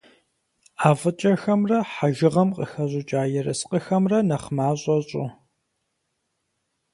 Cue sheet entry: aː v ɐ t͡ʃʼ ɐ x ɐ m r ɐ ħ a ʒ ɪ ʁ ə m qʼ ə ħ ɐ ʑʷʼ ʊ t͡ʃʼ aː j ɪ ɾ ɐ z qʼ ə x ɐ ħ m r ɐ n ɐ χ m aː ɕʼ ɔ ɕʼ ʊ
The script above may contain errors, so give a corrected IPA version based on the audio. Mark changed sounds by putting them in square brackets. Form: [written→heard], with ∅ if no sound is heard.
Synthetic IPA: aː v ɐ t͡ʃʼ ɐ x ɐ m r ɐ ħ a ʒ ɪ ʁ [ə→ɐ] m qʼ ə [ħ→x] ɐ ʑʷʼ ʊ t͡ʃʼ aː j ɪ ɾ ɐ [z→s] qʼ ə x ɐ [ħ→∅] m r ɐ n ɐ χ m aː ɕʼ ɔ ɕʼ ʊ